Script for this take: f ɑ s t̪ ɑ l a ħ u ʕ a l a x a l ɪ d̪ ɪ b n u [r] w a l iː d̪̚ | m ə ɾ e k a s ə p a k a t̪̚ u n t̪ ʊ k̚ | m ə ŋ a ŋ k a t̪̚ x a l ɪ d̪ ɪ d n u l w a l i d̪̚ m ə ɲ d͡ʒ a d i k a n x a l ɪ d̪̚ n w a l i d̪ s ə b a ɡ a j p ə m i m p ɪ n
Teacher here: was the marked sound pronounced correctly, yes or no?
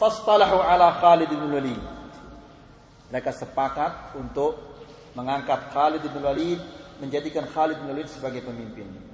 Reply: no